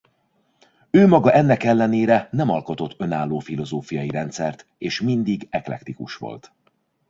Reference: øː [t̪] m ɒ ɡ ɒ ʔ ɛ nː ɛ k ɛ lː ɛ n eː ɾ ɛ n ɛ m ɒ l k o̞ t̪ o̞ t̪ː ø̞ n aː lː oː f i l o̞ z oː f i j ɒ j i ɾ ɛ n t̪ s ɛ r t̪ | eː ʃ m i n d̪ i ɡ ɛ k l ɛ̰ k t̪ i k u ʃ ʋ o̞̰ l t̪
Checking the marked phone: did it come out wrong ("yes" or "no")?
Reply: yes